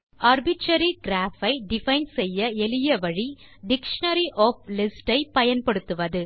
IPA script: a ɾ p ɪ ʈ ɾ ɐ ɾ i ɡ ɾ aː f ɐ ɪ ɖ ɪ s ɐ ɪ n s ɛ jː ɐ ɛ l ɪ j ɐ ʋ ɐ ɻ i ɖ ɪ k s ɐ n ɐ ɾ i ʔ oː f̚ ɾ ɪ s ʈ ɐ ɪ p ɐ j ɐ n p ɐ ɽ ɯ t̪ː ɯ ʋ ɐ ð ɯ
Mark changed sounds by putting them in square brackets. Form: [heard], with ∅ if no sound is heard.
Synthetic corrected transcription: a ɾ [b] ɪ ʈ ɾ ɐ ɾ i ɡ ɾ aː f ɐ ɪ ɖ ɪ [f] ɐ ɪ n s ɛ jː ɐ ɛ l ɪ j ɐ ʋ ɐ ɻ i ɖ ɪ k [ʂ] ɐ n ɐ ɾ i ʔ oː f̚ [l] ɪ s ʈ ɐ ɪ p ɐ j ɐ n p ɐ ɽ ɯ t̪ː ɯ ʋ ɐ ð ɯ